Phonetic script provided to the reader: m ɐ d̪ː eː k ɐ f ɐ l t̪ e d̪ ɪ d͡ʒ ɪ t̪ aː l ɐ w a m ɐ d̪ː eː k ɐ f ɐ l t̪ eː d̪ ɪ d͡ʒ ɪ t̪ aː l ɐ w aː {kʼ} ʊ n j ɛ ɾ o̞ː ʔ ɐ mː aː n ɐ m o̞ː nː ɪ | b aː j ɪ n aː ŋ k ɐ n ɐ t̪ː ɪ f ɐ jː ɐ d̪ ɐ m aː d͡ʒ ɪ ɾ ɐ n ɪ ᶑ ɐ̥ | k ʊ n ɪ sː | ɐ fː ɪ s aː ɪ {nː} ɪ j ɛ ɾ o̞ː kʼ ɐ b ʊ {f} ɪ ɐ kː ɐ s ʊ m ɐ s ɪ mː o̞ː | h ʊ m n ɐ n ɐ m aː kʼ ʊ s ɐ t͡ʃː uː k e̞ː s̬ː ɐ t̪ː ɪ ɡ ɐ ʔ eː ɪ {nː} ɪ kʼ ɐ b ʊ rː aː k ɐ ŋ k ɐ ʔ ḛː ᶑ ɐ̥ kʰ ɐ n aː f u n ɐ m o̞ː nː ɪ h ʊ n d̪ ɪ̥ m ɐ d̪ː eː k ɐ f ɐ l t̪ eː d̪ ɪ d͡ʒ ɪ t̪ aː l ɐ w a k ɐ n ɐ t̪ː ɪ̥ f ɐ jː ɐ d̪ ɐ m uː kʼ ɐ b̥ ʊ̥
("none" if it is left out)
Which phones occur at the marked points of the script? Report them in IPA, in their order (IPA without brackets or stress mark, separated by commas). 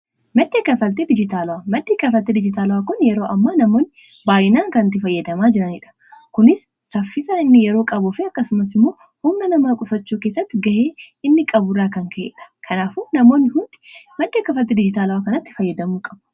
k, nː, f, nː